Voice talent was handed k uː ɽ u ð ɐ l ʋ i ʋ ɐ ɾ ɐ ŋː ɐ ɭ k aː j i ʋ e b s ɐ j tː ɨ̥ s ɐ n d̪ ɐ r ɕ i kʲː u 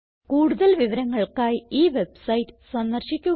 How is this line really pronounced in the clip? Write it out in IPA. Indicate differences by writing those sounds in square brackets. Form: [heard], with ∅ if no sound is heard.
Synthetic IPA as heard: k uː ɽ u ð ɐ l ʋ i ʋ ɐ ɾ ɐ ŋː ɐ ɭ k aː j [iː] ʋ e b s ɐ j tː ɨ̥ s ɐ n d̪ ɐ r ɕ i kʲː u